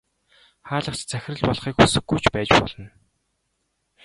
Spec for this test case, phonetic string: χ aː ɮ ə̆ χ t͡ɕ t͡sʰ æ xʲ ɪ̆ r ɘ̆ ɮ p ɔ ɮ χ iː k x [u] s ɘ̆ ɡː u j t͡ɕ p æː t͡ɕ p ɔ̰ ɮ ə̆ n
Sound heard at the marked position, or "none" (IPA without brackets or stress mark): u